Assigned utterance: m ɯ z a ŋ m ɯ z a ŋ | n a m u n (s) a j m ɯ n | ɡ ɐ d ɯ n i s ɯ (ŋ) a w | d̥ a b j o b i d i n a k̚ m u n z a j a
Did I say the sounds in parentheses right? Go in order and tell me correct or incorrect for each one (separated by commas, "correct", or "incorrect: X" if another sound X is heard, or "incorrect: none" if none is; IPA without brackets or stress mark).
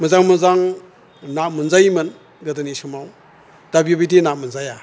incorrect: z, incorrect: m